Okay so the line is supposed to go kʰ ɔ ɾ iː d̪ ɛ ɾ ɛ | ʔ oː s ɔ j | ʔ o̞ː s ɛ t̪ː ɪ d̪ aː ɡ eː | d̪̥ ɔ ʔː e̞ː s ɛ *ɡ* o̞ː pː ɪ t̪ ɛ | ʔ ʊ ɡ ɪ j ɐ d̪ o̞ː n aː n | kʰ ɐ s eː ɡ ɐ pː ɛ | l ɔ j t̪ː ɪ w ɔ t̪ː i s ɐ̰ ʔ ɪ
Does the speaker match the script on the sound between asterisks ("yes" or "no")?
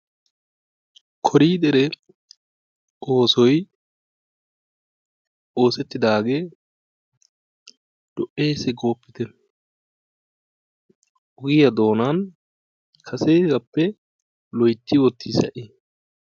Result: yes